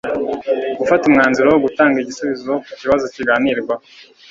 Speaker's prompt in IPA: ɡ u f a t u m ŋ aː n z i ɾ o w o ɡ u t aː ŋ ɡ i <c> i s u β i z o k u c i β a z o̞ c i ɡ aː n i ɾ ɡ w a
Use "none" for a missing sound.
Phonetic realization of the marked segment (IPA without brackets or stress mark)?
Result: ɟ